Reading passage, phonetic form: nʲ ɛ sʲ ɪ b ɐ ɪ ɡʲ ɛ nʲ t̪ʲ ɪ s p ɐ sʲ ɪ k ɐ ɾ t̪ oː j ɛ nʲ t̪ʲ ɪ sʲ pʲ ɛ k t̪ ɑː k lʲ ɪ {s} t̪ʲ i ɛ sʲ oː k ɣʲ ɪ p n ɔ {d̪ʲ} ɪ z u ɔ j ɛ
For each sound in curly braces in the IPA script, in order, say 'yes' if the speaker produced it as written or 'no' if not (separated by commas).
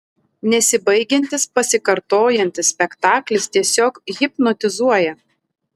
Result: yes, no